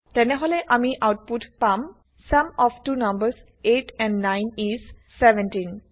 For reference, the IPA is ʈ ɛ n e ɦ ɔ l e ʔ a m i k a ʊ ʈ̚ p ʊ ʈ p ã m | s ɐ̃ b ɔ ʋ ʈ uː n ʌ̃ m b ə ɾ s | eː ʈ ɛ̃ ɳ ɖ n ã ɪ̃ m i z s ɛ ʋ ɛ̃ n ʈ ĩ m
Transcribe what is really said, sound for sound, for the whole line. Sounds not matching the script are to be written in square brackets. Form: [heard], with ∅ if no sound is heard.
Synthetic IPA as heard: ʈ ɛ n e ɦ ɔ l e ʔ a m i [ʔ] a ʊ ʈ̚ p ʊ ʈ p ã m | s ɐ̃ [m] ɔ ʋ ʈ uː n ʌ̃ m b ə ɾ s | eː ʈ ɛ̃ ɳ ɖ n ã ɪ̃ [n] i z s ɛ ʋ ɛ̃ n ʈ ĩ [n]